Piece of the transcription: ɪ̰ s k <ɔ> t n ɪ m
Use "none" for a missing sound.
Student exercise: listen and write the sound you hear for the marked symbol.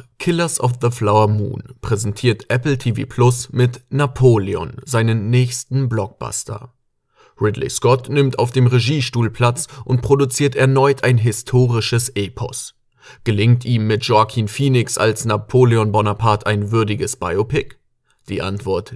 ɔ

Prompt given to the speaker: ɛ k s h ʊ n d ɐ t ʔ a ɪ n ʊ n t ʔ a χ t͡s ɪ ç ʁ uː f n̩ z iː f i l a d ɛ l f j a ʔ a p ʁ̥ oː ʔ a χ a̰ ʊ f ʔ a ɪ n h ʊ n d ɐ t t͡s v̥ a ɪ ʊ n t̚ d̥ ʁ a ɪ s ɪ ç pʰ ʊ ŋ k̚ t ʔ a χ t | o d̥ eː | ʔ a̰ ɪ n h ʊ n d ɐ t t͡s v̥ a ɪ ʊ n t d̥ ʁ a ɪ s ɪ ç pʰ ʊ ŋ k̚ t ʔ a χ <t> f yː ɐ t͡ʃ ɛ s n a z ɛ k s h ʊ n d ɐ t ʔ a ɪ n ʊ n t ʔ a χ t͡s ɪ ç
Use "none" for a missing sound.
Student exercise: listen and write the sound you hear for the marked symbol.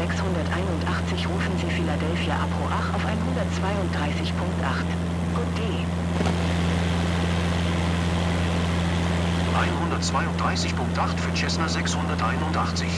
t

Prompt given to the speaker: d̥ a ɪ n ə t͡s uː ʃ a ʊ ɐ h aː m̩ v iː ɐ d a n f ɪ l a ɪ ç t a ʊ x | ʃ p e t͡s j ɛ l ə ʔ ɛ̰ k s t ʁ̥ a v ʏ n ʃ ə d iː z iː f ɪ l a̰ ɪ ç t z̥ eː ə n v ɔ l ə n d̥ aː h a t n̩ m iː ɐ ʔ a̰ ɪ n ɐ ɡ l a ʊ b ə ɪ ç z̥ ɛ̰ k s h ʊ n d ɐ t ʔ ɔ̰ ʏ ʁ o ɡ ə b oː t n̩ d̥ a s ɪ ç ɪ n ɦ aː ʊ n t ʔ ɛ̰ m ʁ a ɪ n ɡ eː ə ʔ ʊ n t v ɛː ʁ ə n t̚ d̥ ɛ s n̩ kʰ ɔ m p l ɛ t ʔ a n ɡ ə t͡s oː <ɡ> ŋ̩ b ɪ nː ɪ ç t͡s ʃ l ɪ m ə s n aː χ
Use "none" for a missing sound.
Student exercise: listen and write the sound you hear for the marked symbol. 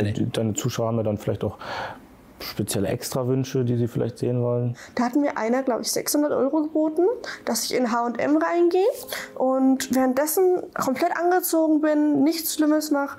ɡ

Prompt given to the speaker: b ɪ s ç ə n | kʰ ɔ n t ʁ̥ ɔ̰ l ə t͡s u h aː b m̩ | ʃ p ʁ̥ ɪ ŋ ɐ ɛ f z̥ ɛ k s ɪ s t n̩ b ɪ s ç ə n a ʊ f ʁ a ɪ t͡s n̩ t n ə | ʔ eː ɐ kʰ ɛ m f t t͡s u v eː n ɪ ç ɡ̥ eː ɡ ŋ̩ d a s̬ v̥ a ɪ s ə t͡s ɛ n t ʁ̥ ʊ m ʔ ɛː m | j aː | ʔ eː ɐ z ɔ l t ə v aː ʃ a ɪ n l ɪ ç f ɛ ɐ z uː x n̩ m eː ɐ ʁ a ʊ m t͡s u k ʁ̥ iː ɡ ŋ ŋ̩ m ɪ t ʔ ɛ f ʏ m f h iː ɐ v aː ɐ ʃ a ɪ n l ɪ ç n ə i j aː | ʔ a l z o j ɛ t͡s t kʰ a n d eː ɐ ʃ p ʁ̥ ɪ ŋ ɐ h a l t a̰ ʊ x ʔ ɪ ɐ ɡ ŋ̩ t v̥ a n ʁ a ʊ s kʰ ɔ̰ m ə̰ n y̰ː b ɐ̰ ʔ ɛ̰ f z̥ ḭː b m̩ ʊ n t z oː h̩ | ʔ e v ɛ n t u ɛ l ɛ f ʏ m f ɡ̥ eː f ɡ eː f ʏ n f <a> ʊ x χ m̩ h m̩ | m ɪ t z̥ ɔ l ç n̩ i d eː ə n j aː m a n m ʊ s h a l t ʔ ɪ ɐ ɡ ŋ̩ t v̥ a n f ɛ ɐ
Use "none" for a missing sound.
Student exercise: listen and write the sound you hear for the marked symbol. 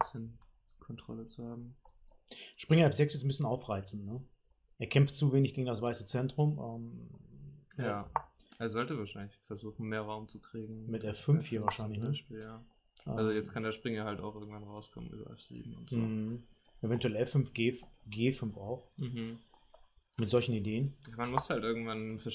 a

